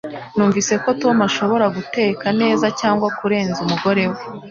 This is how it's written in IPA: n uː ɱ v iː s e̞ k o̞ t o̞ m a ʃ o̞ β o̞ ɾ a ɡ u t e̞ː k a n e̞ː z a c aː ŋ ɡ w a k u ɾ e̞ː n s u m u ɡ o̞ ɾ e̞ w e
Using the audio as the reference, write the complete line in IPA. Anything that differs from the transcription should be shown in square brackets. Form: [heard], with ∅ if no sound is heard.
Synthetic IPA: n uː ɱ v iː s e̞ k o̞ t o̞ m a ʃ o̞ β o̞ ɾ a ɡ u t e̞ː k a n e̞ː z a c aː ŋ ɡ w a k u ɾ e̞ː n [z] u m u ɡ o̞ ɾ e̞ w e

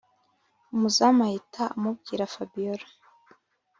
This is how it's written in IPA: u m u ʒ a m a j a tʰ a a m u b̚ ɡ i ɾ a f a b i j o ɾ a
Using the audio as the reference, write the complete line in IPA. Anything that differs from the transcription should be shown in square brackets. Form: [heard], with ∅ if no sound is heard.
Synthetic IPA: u m u [z] a m a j [i] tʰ a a m u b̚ ɡ i ɾ a f a b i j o ɾ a

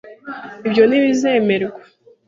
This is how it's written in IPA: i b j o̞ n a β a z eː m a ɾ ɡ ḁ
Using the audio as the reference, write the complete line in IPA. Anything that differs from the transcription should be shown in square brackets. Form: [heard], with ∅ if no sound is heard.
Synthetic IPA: i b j o̞ n [i] β [i] z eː m [e] ɾ ɡ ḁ

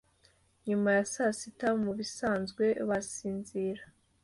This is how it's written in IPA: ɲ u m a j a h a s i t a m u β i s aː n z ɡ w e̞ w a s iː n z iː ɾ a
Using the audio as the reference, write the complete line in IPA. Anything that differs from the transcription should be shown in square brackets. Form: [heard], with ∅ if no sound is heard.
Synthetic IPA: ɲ u m a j a [s] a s i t a m u β i s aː n z ɡ w e̞ [β] a s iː n z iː ɾ a

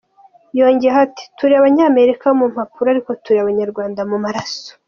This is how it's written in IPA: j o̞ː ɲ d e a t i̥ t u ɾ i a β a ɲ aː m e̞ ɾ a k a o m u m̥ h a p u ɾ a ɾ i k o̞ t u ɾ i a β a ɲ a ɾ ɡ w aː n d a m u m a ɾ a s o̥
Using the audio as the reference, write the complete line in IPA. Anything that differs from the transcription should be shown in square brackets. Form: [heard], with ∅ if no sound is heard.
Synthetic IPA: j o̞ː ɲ [ɟ] e a t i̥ t u ɾ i a β a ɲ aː m e̞ ɾ [i] k a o m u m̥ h a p u ɾ a ɾ i k o̞ t u ɾ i a β a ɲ a ɾ ɡ w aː n d a m u m a ɾ a s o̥

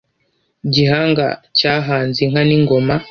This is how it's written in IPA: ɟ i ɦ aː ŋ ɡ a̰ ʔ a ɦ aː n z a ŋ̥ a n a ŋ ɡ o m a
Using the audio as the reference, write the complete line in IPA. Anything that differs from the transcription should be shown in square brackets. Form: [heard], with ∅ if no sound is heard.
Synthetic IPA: ɟ i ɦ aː ŋ ɡ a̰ [c] a ɦ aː n z [i] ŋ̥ a n [i] ŋ ɡ o m a

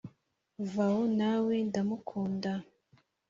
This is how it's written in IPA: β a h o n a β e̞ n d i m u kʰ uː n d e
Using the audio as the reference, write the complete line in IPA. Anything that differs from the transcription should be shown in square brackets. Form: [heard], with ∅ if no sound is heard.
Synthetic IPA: [v] a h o n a [w] e̞ n d [a] m u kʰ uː n d [a]

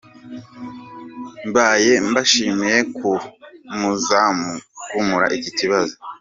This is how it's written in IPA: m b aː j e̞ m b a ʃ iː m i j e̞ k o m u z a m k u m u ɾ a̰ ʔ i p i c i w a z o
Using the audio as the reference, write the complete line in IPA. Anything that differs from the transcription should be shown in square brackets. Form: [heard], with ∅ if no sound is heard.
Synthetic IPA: m b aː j e̞ m b a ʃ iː m i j e̞ k [u] m u z a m k u m u ɾ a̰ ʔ i [c] i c i [β] a z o

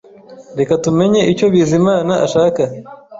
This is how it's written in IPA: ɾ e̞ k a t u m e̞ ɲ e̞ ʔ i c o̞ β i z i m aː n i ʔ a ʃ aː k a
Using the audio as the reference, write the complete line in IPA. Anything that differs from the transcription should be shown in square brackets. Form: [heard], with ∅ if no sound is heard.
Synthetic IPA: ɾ e̞ k a t u m e̞ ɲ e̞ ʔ i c o̞ β i z i m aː n [a] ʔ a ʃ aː k a

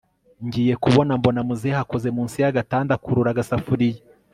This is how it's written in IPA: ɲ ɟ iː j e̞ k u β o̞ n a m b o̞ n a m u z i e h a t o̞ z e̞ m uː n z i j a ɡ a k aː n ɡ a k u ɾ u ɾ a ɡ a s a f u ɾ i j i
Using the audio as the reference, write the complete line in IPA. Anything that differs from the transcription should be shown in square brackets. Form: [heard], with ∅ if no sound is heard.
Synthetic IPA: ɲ ɟ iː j e̞ k u β o̞ n a m b o̞ n a m u z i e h a [k] o̞ z e̞ m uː n [s] i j a ɡ a [t] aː n [d] a k u ɾ u ɾ a ɡ a s a f u ɾ i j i

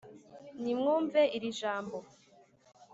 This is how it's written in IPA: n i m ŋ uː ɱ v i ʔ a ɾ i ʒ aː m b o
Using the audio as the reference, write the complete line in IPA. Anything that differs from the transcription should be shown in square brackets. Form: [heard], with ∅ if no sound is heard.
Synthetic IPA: n i m ŋ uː ɱ v [e] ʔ [i] ɾ i ʒ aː m b o

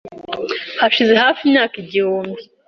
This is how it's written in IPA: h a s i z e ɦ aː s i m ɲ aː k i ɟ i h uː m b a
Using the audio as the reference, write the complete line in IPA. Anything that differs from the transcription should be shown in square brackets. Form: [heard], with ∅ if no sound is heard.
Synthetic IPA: h a [ʃ] i z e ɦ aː [f] i m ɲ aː k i ɟ i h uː m b [i]

